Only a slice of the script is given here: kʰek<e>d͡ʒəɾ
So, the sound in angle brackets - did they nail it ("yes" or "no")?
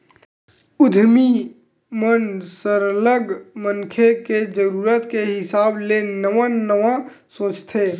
yes